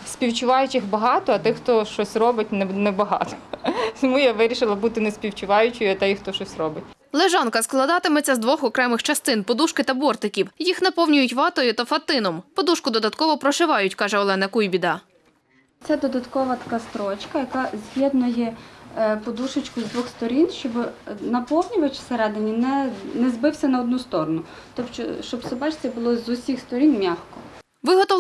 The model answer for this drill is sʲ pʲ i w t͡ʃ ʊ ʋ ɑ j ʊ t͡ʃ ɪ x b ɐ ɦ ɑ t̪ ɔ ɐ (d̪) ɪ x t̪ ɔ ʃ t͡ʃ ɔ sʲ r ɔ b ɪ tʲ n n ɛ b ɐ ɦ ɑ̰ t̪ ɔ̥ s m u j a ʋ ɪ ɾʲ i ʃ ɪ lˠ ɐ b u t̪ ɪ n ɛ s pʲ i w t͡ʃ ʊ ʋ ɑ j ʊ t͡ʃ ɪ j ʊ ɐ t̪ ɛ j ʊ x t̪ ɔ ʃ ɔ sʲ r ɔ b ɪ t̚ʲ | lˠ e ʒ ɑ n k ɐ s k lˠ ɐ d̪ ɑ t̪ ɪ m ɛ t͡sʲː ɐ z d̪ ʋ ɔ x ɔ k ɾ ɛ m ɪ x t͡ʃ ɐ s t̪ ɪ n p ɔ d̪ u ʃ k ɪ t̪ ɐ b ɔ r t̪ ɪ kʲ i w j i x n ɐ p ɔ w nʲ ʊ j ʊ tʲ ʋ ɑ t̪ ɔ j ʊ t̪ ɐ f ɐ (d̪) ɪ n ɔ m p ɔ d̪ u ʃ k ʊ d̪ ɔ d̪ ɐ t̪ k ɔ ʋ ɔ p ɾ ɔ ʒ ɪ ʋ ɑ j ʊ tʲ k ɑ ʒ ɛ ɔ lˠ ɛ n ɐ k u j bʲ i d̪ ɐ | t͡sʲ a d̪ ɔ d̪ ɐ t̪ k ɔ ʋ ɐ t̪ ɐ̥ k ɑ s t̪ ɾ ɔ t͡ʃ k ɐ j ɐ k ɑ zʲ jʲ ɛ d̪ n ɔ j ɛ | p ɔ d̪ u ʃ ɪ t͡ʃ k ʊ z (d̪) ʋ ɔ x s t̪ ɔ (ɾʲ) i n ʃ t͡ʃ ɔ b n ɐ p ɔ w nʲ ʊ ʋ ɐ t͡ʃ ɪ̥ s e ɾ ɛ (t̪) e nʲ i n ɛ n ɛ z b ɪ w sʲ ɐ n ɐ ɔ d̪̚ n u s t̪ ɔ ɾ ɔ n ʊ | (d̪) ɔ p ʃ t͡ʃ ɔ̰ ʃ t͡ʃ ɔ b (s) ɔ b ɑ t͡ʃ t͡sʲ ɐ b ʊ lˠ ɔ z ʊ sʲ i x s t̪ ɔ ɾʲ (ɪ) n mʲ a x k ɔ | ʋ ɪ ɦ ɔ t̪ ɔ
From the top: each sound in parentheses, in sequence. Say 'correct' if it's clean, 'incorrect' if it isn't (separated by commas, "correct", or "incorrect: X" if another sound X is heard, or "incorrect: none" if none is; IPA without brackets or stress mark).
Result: incorrect: t̪, incorrect: t̪, correct, correct, incorrect: d̪, incorrect: t̪, correct, incorrect: i